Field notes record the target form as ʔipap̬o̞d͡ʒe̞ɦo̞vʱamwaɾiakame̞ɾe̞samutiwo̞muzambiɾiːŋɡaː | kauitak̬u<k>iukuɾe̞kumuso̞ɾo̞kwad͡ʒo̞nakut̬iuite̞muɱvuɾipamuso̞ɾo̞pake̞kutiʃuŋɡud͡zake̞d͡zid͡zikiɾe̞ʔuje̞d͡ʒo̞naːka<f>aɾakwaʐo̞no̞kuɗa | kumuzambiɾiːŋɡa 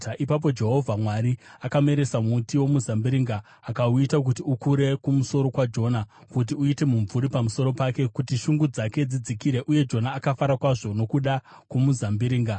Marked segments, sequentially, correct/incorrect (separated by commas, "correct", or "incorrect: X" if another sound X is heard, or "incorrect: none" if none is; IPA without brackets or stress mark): incorrect: t, correct